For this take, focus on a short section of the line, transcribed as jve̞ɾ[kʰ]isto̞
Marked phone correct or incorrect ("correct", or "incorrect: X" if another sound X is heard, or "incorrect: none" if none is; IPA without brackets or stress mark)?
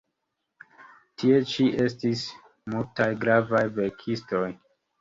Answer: correct